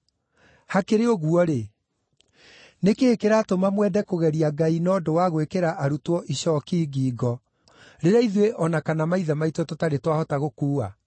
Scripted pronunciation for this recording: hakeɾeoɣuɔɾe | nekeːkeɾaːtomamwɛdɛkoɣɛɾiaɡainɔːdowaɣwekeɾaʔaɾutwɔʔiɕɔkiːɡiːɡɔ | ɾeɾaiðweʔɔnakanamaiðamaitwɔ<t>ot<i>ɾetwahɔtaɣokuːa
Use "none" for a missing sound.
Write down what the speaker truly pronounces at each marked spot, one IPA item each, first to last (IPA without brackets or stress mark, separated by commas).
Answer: t, a